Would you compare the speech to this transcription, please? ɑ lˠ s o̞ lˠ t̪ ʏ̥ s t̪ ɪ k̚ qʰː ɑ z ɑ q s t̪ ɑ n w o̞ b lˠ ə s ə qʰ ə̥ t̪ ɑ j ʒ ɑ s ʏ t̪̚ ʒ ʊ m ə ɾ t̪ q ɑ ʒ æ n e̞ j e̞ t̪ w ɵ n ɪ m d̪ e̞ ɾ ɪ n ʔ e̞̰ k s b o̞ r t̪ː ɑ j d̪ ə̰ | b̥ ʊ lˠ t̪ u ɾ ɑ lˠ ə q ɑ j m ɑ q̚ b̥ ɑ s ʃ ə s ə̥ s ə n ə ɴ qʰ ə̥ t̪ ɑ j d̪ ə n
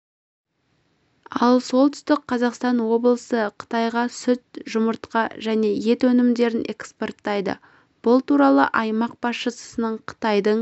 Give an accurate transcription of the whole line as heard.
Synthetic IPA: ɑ lˠ s o̞ lˠ t̪ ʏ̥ s t̪ ɪ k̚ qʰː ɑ z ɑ q s t̪ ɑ n w o̞ b lˠ ə s ə qʰ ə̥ t̪ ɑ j ʁ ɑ s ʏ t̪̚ ʒ ʊ m ə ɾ t̪ q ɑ ʒ æ n e̞ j e̞ t̪ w ɵ n ɪ m d̪ e̞ ɾ ɪ n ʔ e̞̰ k s p o̞ r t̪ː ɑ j d̪ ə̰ | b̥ ʊ lˠ t̪ u ɾ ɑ lˠ ə ʔ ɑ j m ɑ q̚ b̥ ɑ s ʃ ə s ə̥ s ə n ə ɴ qʰ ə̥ t̪ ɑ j d̪ ə ɴ